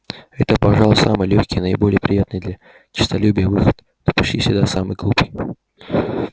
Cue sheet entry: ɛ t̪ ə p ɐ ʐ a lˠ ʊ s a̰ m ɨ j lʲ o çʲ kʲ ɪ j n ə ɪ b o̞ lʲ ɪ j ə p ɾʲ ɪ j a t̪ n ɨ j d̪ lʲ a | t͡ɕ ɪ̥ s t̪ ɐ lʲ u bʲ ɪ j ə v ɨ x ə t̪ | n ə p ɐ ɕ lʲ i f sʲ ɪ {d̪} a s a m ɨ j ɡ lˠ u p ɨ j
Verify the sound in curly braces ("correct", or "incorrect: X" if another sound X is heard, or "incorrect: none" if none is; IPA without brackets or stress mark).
correct